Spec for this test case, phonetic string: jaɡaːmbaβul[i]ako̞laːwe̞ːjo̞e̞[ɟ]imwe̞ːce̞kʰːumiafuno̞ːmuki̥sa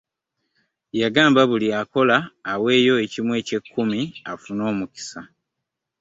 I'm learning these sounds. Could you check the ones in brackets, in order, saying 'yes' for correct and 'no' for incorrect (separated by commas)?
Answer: yes, no